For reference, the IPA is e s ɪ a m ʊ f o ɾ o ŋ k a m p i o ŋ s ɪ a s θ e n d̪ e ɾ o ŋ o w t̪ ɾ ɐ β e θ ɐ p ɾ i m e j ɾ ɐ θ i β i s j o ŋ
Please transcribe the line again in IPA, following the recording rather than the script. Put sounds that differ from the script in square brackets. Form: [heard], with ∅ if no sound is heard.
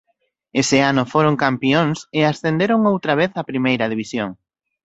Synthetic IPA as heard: e s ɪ a [n] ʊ f o ɾ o ŋ k a m p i o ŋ s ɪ a s θ e n d̪ e ɾ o ŋ o w t̪ ɾ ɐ β e θ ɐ p ɾ i m e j ɾ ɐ [ð] i β i s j o ŋ